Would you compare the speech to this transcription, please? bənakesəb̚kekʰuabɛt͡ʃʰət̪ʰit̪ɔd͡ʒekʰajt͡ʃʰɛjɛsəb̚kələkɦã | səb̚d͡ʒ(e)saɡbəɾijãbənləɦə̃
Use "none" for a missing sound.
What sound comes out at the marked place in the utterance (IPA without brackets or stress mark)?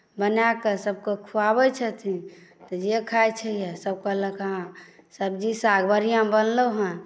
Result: i